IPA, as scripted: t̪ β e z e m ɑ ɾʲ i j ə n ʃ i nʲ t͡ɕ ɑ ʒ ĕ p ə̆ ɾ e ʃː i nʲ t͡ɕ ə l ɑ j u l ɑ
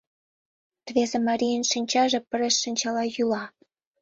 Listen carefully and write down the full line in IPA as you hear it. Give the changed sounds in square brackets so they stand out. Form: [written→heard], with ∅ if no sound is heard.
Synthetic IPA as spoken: t̪ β e z e m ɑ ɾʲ i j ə n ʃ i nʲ t͡ɕ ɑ ʒ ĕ p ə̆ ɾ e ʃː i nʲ t͡ɕ [ə→ɑ] l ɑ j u l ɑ